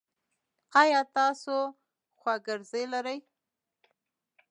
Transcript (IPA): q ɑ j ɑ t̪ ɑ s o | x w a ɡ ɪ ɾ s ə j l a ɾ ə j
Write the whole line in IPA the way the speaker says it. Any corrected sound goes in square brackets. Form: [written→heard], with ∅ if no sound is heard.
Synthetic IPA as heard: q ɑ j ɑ t̪ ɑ s o | x w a ɡ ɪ ɾ [s→z] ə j l a ɾ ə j

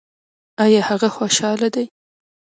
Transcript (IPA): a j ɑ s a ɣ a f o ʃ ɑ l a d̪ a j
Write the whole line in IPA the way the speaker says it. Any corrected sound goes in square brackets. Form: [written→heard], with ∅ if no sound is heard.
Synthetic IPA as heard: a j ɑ [s→h] a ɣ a [f→x] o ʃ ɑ l a d̪ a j

